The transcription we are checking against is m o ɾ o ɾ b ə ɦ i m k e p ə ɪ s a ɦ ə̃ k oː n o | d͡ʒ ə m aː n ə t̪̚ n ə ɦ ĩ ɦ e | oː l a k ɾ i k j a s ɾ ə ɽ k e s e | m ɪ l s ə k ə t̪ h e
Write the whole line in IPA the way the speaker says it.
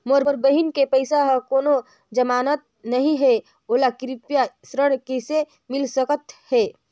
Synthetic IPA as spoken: m o ɾ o ɾ b ə ɦ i n k e p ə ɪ s a ɦ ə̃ k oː n o | d͡ʒ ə m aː n ə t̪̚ n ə ɦ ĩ ɦ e | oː l a k ɾ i p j a s ɾ ə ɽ k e s e | m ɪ l s ə k ə t̪ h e